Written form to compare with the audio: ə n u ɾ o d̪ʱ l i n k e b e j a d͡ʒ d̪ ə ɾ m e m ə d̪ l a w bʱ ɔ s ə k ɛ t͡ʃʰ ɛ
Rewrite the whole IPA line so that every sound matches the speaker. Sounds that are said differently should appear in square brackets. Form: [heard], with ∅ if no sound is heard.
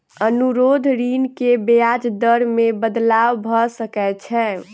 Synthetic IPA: ə n u ɾ o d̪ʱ [ɾ] i n k e b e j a d͡ʒ d̪ ə ɾ m e [b] ə d̪ l a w bʱ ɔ s ə k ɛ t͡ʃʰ ɛ